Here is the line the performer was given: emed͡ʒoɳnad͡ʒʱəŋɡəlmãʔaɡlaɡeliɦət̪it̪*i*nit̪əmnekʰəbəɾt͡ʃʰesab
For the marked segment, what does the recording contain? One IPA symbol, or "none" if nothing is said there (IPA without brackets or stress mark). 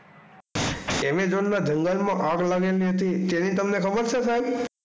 e